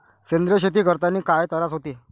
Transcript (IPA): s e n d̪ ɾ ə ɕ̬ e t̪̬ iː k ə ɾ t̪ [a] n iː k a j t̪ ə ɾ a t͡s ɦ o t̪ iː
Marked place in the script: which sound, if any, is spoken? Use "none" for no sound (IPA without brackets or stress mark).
a